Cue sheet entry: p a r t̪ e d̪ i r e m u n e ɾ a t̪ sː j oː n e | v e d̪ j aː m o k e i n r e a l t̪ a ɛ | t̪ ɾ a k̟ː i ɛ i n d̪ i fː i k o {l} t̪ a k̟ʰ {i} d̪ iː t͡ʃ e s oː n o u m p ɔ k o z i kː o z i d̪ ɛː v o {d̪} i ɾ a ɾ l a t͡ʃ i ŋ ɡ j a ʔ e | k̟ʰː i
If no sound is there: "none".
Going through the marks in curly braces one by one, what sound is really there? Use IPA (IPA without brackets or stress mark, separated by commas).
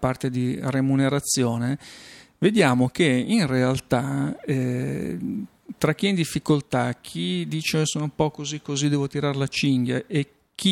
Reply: l, i, t̪